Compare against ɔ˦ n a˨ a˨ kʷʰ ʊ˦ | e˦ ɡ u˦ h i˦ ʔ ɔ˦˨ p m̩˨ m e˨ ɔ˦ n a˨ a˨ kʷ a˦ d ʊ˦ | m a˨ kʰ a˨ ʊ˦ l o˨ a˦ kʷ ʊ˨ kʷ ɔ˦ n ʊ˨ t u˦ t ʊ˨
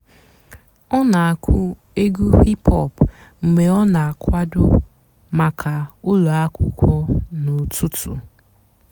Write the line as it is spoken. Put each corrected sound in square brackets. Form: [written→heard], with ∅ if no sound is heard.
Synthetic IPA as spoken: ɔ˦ n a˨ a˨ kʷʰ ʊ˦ | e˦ ɡ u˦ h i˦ [ʔ→p] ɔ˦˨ p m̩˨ m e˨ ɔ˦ n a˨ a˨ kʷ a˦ d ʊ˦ | m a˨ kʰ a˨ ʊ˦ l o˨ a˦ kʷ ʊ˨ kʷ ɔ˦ n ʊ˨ t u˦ t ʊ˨